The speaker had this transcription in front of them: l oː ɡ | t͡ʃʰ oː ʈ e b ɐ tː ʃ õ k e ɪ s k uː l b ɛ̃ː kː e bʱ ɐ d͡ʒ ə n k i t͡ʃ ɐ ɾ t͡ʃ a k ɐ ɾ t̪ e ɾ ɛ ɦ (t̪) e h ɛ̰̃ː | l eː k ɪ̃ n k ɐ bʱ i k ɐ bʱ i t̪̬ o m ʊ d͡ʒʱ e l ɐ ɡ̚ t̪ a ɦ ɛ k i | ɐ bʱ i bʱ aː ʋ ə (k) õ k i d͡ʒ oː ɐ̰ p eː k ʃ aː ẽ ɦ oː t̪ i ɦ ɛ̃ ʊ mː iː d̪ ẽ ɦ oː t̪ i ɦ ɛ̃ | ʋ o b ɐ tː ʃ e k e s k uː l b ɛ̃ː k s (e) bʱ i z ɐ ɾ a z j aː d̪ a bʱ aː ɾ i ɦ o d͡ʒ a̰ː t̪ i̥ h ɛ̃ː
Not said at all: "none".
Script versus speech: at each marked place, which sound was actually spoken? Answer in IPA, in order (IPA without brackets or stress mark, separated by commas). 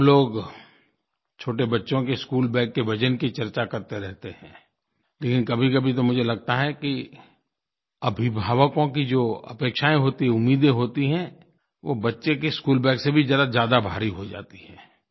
t̪, k, e